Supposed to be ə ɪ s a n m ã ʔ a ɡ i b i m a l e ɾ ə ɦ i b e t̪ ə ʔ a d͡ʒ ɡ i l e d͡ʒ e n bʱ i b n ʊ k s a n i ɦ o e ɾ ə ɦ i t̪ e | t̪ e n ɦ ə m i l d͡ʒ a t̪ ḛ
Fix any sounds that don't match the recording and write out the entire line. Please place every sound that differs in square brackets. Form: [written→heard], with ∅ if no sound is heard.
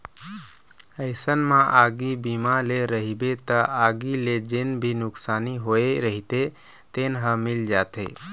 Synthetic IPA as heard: ə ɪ s [a→ə] n m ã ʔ a ɡ i b i m a l e ɾ ə ɦ i b e t̪ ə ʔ a [d͡ʒ→∅] ɡ i l e d͡ʒ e n bʱ i [b→∅] n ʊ k s a n i ɦ o e ɾ ə ɦ i t̪ e | t̪ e n ɦ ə m i l d͡ʒ a t̪ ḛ